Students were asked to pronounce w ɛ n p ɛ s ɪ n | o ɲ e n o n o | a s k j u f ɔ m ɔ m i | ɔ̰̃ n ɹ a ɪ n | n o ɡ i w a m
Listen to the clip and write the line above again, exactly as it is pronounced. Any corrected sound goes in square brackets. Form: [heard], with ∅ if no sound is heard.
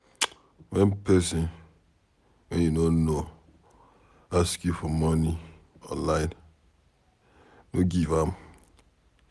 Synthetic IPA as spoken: w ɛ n p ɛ s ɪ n | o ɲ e n o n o | a s k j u f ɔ m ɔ [n] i | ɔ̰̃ n [l] a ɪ n | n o ɡ i [v] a m